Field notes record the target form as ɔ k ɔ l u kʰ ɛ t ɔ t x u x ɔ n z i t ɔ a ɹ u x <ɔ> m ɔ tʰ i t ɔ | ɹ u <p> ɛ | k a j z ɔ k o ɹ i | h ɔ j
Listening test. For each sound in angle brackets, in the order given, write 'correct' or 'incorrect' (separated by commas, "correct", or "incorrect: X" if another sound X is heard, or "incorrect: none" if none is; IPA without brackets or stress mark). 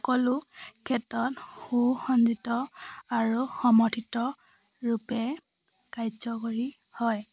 correct, correct